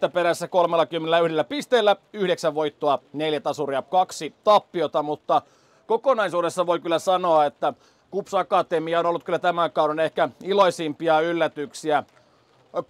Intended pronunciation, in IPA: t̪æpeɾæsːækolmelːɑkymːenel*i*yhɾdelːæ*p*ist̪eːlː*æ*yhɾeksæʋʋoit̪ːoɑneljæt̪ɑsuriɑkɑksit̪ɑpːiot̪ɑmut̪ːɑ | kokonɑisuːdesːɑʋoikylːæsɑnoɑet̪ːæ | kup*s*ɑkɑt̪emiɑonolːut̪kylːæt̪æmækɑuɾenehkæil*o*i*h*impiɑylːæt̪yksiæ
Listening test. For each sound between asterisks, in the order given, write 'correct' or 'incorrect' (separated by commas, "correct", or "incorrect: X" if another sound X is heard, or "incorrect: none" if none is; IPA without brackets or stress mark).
incorrect: æ, correct, correct, correct, correct, incorrect: s